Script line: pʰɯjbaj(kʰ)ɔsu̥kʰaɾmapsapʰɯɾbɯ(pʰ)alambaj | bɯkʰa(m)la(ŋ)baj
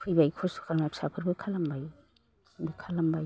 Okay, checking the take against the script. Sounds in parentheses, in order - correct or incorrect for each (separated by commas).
correct, incorrect, incorrect, incorrect